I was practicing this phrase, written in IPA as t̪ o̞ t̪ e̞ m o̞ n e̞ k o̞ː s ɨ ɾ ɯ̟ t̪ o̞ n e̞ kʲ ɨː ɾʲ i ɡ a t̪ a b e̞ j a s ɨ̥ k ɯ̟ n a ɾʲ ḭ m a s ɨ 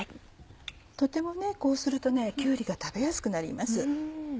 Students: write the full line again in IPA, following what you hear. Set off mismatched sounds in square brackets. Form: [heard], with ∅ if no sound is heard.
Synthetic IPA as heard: t̪ o̞ t̪ e̞ m o̞ n e̞ k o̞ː s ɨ ɾ ɯ̟ t̪ o̞ n e̞ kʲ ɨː ɾʲ i ɡ a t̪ a b e̞ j a s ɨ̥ k ɯ̟ n a ɾʲ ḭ m a s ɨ

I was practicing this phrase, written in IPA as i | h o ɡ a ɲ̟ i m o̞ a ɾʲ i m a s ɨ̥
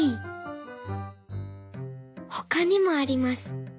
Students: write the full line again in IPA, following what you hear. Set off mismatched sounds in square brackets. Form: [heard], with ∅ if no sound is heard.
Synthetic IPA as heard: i | h o [k] a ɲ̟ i m o̞ a ɾʲ i m a s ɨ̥

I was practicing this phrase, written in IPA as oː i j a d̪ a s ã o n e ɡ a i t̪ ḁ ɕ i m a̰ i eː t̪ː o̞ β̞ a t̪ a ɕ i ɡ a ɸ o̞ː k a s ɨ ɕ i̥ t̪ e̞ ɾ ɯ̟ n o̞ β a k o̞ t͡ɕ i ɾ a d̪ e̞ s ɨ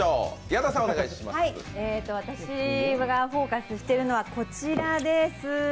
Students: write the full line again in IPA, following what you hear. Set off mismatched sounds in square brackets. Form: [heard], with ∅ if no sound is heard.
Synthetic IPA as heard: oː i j a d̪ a s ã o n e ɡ a i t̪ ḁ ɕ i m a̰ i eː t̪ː o̞ β̞ a t̪ a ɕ i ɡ a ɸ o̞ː k a s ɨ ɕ i̥ t̪ e̞ ɾ ɯ̟ n o̞ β a k o̞ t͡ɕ i ɾ a d̪ e̞ s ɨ

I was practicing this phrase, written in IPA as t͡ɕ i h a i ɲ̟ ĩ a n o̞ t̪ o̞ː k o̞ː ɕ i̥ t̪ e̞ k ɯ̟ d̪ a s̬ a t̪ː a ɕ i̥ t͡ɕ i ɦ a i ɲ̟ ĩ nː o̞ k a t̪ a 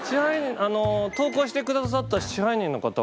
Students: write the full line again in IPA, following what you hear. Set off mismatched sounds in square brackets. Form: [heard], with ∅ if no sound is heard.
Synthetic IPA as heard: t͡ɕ i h a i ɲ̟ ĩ a n o̞ t̪ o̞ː k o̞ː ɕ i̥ t̪ e̞ k ɯ̟ d̪ a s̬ a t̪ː a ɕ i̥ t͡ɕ i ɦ a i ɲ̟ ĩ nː o̞ k a t̪ a

